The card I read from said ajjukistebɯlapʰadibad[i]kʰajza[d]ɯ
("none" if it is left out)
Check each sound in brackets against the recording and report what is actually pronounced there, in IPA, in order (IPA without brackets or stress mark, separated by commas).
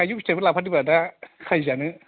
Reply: a, n